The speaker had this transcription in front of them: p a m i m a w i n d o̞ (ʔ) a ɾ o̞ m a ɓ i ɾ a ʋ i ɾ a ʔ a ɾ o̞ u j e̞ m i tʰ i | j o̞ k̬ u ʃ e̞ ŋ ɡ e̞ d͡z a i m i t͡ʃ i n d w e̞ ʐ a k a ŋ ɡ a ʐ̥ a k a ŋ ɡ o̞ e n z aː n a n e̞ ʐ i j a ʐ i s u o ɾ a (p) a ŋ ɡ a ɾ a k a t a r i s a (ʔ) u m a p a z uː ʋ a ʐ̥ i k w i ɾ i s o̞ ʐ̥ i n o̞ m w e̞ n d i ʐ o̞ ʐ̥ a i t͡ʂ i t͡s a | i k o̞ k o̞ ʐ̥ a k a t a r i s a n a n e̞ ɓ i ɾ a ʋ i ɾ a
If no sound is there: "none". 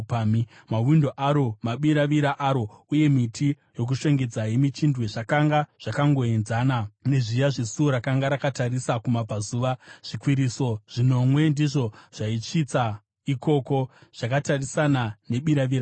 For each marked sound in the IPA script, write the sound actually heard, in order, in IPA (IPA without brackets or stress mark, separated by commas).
ʔ, k, k